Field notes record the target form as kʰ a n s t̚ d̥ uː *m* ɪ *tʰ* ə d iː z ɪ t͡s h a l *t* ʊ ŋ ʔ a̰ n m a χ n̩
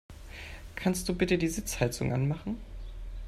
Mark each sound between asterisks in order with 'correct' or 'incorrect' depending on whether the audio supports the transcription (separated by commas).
incorrect, incorrect, incorrect